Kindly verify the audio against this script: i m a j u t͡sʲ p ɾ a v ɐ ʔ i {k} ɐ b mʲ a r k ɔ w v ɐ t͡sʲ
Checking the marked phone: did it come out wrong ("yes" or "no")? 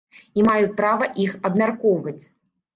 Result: yes